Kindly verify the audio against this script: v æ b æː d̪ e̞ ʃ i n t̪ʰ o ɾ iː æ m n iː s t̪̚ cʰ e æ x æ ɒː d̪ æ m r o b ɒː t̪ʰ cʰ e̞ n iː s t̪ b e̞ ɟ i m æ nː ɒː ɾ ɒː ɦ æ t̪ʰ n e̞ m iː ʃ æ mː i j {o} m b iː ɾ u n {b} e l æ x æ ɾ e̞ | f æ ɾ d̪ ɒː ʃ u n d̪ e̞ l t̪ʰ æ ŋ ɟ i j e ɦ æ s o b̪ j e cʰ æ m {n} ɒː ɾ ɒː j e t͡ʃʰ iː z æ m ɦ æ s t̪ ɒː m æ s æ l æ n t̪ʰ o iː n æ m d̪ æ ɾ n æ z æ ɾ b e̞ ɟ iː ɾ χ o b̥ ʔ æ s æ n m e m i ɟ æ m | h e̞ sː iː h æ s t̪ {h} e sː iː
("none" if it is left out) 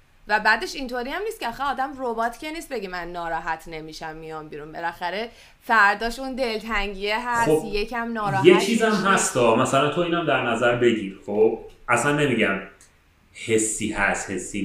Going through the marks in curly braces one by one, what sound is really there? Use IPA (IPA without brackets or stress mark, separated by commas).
ɒ, b, n, h